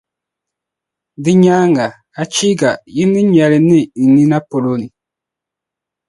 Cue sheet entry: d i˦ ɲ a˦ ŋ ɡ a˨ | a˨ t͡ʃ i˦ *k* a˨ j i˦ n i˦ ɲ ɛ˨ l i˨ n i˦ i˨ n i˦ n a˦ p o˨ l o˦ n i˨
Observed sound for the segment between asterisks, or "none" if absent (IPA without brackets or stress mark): ɡ